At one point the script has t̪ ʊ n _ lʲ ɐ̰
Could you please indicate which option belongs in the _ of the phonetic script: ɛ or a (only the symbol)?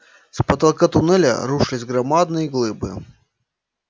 ɛ